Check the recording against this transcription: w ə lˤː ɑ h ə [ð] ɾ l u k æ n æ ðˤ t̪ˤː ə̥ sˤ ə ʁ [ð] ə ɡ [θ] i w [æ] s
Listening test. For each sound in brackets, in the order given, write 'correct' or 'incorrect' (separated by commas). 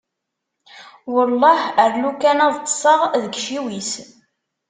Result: incorrect, correct, incorrect, incorrect